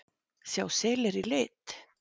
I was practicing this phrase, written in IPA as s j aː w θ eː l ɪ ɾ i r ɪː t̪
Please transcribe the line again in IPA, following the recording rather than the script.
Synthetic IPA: s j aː w s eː l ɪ ɾ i l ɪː t̪